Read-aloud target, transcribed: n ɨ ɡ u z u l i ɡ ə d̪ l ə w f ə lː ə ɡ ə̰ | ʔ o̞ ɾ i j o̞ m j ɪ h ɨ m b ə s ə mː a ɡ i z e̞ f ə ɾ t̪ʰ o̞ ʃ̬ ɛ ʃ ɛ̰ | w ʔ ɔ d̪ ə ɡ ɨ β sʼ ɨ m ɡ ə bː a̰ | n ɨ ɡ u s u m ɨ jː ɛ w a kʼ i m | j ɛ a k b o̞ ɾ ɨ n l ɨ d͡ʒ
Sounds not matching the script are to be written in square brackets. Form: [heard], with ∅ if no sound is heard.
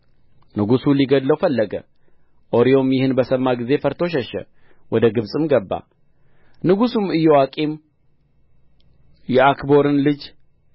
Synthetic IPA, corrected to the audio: n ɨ ɡ u [s] u l i ɡ ə d̪ l ə w f ə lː ə ɡ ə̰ | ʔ o̞ ɾ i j o̞ m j ɪ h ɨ [n] b ə s ə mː a ɡ i z e̞ f ə ɾ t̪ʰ o̞ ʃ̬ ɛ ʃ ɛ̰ | w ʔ ɔ d̪ ə ɡ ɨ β sʼ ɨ m ɡ ə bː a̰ | n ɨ ɡ u s u m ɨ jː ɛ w a kʼ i m | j ɛ a k b o̞ ɾ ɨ n l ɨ d͡ʒ